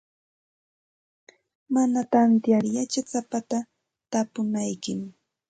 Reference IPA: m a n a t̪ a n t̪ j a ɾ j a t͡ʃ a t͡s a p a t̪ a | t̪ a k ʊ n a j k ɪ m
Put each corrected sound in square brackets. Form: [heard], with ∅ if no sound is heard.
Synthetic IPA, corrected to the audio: m a n a t̪ a n t̪ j a ɾ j a t͡ʃ a t͡s a p a t̪ a | t̪ a [p] ʊ n a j k ɪ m